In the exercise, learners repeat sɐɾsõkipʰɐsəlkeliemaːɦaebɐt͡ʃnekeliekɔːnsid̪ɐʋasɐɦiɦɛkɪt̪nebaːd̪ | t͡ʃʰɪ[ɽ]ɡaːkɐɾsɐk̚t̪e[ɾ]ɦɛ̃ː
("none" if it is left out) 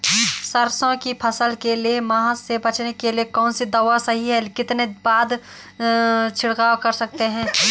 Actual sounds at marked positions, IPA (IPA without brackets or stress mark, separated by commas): ɽ, none